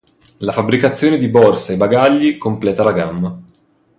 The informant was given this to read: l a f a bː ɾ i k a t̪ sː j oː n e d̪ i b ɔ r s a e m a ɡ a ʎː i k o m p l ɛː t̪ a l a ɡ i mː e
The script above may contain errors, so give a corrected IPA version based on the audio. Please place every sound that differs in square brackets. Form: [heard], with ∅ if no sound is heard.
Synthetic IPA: l a f a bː ɾ i k a t̪ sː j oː n e d̪ i b ɔ r s a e [b] a ɡ a ʎː i k o m p l ɛː t̪ a l a ɡ [a] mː [a]